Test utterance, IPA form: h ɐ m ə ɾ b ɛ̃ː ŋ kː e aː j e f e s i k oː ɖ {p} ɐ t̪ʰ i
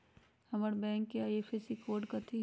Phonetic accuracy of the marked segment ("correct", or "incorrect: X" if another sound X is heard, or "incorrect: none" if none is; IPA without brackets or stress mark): incorrect: k